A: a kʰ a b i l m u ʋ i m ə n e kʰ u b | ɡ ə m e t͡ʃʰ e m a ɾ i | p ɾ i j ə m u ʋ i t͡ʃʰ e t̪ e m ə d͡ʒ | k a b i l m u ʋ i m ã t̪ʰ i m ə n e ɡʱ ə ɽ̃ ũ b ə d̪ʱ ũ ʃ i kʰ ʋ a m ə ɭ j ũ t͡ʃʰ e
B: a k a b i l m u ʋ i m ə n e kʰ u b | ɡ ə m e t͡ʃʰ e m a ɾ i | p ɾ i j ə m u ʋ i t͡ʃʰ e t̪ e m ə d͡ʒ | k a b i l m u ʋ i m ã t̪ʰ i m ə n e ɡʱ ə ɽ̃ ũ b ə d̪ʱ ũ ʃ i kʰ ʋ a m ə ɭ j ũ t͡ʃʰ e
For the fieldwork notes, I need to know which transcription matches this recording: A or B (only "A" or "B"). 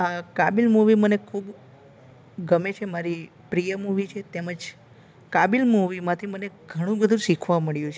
B